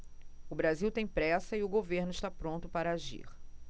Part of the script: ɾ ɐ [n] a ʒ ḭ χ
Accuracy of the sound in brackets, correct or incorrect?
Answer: incorrect